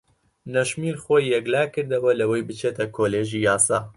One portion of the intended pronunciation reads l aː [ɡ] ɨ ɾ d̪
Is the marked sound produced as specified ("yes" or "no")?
no